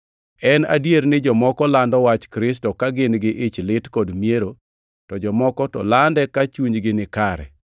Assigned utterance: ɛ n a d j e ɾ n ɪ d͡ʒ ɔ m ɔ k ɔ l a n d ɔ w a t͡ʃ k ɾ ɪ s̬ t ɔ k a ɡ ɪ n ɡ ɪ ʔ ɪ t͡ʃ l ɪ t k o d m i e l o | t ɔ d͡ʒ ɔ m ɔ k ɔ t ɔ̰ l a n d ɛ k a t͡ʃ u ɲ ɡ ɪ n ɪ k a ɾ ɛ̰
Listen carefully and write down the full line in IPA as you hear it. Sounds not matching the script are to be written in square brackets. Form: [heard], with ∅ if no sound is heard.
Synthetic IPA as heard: ɛ n a d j e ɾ n ɪ d͡ʒ ɔ m ɔ k ɔ l a n d ɔ w a t͡ʃ k ɾ ɪ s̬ t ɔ k a ɡ ɪ n ɡ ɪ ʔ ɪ t͡ʃ l ɪ t k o d m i e [ɾ] o | t ɔ d͡ʒ ɔ m ɔ k ɔ t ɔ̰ l a n d ɛ k a t͡ʃ u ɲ ɡ ɪ n ɪ k a ɾ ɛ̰